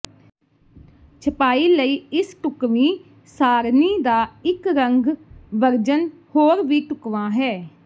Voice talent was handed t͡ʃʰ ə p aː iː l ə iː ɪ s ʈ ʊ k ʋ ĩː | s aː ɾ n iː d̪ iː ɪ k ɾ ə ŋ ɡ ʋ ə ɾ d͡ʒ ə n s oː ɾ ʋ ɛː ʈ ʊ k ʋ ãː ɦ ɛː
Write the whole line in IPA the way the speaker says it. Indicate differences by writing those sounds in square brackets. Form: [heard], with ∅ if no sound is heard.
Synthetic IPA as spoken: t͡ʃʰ ə p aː iː l ə iː ɪ s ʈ ʊ k ʋ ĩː | s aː ɾ n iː d̪ [aː] ɪ k ɾ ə ŋ ɡ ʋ ə ɾ d͡ʒ ə n [h] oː ɾ ʋ [iː] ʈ ʊ k ʋ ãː ɦ ɛː